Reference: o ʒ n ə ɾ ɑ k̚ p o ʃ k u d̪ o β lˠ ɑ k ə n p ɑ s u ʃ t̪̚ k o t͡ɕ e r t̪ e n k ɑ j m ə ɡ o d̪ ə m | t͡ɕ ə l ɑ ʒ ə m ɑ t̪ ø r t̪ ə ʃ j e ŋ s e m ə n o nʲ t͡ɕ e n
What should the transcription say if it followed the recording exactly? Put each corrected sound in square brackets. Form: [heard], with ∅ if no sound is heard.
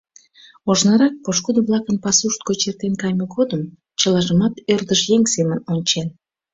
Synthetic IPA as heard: o ʒ n [ɑ] ɾ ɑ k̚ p o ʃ k u d̪ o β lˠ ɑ k ə n p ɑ s u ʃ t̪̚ k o t͡ɕ e r t̪ e n k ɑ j m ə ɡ o d̪ ə m | t͡ɕ ə l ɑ ʒ ə m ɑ t̪ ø r [d̪] ə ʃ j e ŋ s e m ə n o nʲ t͡ɕ e n

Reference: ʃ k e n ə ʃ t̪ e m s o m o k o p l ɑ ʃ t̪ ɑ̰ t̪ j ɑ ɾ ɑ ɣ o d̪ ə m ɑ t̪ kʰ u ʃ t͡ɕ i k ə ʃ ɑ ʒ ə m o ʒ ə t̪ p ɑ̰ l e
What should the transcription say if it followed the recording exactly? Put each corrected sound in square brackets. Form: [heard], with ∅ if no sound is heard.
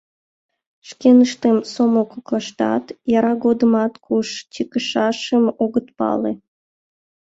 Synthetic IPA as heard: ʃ k e n ə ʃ t̪ e m s o m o k o [k] l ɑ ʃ t̪ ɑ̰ t̪ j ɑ ɾ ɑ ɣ o d̪ ə m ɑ t̪ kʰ u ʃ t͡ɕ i k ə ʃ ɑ [ʃ] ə m o [ɣ] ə t̪ p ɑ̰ l e

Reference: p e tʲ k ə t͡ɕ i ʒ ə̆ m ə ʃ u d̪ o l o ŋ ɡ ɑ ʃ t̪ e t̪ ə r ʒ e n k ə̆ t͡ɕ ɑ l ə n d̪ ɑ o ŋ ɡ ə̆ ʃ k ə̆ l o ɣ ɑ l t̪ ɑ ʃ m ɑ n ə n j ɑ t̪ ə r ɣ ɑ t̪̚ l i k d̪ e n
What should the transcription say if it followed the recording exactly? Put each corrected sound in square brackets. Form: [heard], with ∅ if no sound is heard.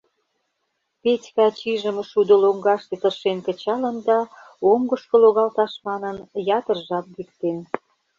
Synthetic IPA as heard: p e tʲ k [ɑ] t͡ɕ i ʒ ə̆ m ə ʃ u d̪ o l o ŋ ɡ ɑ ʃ t̪ e t̪ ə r [ʃ] e n k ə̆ t͡ɕ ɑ l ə n d̪ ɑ o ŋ ɡ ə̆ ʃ k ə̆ l o ɣ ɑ l t̪ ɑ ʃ m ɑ n ə n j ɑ t̪ ə r [ʒ] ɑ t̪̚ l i k [t̪] e n

